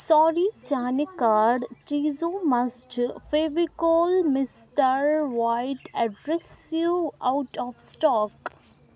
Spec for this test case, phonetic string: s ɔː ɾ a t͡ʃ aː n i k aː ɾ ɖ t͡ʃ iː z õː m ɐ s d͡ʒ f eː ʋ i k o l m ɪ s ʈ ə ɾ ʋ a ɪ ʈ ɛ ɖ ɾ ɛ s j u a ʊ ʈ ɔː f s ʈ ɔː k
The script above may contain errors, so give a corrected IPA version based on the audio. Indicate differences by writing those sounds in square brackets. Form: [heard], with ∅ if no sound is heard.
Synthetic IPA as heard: s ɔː ɾ [i] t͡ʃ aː n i k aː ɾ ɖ t͡ʃ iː z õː m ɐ s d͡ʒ f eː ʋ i k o l m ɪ s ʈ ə ɾ ʋ a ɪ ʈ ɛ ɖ ɾ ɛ s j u a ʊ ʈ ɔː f s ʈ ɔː k

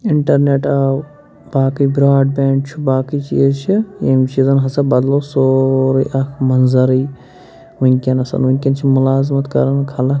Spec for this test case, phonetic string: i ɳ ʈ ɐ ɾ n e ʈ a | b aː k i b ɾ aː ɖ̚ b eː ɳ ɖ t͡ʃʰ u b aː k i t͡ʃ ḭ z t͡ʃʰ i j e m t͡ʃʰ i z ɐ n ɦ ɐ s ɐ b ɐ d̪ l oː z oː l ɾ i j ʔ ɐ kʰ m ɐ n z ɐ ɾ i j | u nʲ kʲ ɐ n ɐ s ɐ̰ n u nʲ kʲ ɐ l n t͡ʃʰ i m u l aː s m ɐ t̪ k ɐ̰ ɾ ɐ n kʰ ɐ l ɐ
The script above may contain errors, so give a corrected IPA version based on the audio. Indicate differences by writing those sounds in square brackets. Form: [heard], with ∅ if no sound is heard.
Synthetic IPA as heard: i ɳ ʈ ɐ ɾ n e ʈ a | b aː k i b ɾ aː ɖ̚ b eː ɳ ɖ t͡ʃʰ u b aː k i t͡ʃ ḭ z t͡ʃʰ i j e m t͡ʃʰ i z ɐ n ɦ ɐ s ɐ b ɐ d̪ l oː [s] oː [∅] ɾ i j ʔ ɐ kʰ m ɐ n z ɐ ɾ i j | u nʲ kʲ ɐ n ɐ s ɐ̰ n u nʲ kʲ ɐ [∅] n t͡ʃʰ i m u l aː [z] m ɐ t̪ k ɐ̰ ɾ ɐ n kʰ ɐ l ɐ

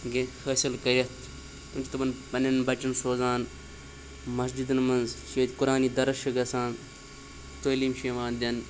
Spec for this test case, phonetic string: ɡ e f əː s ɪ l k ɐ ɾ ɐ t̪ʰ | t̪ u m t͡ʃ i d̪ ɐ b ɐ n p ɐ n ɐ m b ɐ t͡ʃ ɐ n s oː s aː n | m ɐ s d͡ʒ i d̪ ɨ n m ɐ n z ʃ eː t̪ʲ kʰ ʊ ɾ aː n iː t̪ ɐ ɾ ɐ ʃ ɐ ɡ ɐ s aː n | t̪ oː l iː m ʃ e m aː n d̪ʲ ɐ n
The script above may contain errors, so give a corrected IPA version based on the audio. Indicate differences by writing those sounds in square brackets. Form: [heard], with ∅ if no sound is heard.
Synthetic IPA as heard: ɡ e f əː s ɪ l k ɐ ɾ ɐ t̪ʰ | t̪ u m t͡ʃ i [t̪] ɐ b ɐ n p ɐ n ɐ [n] b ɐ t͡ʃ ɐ n s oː [z] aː n | m ɐ s d͡ʒ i d̪ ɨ n m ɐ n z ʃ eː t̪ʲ [k] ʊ ɾ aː n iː [d̪] ɐ ɾ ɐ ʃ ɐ ɡ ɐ s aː n | t̪ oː l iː m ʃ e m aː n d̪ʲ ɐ n

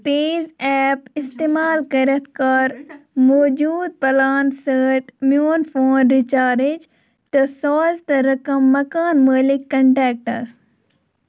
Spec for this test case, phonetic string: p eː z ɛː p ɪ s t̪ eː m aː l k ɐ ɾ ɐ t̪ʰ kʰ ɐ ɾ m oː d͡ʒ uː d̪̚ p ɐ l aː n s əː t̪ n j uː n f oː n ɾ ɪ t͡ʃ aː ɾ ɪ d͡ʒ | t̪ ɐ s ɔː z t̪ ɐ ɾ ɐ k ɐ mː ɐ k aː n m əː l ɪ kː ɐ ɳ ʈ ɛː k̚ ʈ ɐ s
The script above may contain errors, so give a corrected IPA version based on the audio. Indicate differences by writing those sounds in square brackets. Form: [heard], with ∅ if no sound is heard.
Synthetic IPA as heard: p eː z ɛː p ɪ s t̪ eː m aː l k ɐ ɾ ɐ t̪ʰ [k] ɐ ɾ m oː d͡ʒ uː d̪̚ p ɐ l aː n s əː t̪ [m] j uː n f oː n ɾ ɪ t͡ʃ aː ɾ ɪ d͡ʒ | t̪ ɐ s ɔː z t̪ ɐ ɾ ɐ k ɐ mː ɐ k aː n m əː l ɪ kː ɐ ɳ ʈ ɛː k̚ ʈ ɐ s

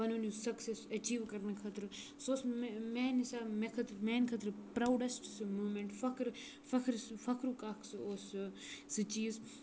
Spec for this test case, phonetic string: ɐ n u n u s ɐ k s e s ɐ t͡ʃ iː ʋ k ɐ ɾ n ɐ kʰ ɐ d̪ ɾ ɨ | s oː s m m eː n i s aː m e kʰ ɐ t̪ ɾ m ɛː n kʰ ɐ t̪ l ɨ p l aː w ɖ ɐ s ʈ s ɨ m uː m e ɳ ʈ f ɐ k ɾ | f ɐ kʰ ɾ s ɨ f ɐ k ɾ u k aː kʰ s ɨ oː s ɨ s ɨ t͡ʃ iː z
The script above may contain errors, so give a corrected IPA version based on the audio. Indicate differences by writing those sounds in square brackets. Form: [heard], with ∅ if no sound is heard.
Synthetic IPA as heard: ɐ n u n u s ɐ k s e s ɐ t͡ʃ iː ʋ k ɐ ɾ n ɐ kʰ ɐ [t̪] ɾ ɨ | s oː s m m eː n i s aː m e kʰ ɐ t̪ ɾ m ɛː n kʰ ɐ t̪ [ɾ] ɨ p [ɾ] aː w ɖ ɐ s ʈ s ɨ m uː m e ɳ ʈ f ɐ k ɾ | f ɐ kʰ ɾ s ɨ f ɐ k ɾ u k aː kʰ s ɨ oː s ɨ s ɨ t͡ʃ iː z

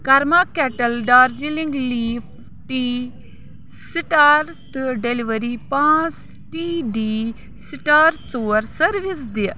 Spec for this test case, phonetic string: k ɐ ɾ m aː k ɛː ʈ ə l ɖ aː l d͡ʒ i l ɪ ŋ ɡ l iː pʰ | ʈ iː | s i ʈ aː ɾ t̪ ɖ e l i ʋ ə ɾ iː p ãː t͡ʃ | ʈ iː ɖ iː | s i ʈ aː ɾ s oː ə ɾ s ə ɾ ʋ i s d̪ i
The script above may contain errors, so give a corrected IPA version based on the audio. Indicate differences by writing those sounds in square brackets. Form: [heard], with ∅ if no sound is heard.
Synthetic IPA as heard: k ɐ ɾ m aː k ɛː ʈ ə l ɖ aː [ɾ] d͡ʒ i l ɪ ŋ ɡ l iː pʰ | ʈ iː | s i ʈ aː ɾ t̪ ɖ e l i ʋ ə ɾ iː p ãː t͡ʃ | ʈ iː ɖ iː | s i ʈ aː ɾ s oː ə ɾ s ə ɾ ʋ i s d̪ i

